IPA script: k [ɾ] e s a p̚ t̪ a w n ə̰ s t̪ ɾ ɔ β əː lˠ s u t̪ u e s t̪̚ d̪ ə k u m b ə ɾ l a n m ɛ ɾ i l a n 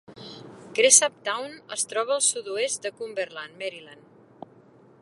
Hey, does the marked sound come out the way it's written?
yes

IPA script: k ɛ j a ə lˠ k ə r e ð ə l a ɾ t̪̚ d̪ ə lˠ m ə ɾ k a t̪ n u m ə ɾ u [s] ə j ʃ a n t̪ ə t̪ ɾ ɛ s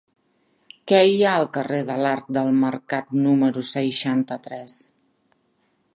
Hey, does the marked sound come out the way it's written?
yes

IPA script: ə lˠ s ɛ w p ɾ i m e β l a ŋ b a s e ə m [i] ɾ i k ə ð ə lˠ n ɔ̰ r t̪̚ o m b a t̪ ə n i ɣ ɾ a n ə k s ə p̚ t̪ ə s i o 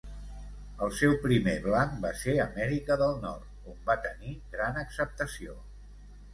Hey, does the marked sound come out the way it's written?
no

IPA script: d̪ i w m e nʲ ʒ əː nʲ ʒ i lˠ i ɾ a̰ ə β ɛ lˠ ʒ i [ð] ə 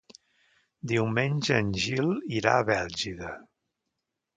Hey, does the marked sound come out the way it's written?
yes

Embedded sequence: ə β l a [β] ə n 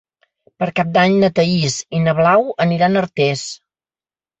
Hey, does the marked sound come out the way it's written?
no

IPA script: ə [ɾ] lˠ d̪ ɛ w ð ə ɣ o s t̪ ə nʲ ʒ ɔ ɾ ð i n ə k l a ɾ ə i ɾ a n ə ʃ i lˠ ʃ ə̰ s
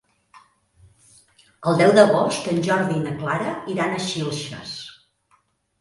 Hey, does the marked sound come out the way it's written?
no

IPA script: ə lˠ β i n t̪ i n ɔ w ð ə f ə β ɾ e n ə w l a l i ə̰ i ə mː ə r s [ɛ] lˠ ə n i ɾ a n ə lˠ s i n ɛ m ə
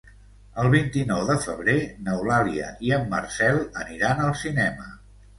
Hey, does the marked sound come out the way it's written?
yes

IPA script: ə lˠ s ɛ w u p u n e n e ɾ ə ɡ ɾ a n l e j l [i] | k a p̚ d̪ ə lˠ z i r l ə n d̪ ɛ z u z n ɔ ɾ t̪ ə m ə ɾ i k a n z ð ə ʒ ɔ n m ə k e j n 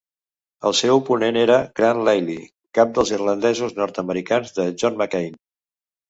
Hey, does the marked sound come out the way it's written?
yes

